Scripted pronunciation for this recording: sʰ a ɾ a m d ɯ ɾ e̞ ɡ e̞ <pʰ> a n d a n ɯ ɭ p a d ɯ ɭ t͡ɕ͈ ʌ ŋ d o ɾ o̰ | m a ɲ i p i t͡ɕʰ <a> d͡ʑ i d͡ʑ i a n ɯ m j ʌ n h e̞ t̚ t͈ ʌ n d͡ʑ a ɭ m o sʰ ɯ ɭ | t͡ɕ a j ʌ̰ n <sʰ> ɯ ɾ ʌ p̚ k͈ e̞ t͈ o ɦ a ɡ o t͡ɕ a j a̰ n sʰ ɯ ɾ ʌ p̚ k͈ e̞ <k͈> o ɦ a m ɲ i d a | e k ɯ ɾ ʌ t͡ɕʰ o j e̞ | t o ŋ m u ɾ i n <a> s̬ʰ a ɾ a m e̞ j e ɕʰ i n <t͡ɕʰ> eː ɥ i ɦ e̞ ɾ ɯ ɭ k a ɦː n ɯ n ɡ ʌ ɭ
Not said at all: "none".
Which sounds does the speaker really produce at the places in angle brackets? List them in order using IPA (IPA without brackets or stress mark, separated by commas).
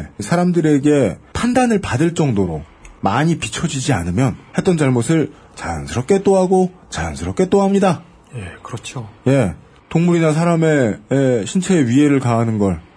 pʰ, ʌ, sʰ, t͈, a, t͡ɕʰ